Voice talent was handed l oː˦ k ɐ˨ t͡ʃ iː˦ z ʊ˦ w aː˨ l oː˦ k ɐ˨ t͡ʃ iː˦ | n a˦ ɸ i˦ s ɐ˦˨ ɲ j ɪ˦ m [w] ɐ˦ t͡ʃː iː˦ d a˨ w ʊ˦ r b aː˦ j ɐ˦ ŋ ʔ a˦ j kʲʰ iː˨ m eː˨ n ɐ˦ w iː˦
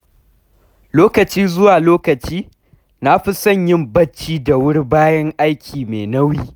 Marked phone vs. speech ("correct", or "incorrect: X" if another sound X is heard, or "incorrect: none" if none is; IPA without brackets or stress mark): incorrect: b